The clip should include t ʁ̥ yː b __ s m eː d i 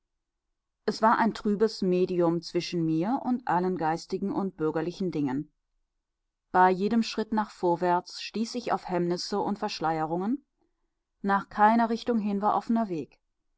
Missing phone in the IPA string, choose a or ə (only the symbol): ə